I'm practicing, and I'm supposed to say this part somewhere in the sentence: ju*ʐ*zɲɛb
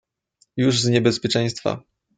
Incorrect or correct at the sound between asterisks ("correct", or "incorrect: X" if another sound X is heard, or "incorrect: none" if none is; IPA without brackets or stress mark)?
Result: correct